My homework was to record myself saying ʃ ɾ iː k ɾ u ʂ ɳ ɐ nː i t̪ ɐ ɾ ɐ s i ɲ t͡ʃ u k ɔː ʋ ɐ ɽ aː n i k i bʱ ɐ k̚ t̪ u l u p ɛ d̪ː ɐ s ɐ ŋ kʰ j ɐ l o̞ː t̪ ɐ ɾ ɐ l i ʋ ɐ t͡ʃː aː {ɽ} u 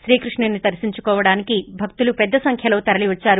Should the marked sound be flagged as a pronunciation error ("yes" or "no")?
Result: yes